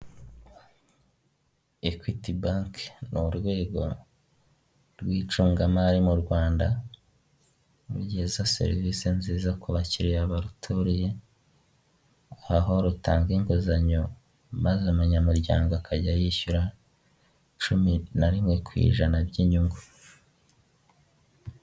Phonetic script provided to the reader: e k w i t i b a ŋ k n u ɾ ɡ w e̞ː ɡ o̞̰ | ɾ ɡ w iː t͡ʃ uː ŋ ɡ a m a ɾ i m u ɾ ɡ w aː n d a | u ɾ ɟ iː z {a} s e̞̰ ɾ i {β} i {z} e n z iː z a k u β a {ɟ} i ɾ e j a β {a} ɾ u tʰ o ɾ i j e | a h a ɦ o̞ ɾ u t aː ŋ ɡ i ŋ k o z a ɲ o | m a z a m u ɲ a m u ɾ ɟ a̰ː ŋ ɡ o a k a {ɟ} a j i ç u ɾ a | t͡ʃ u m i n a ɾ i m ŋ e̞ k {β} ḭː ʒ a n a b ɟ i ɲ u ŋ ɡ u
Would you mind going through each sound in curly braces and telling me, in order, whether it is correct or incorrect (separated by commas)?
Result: correct, incorrect, incorrect, incorrect, correct, correct, incorrect